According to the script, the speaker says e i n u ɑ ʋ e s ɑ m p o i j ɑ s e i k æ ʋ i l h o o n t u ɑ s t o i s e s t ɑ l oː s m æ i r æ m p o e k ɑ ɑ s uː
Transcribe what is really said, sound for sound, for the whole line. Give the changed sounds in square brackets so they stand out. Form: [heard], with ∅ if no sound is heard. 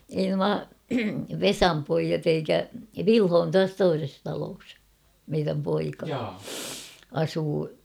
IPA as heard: e i n u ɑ ʋ e s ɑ m p o i j ɑ [t] e i k æ ʋ i l h o o n t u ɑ s t o i s e s t ɑ l oː s m [e] i r æ m p o [i] k ɑ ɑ s uː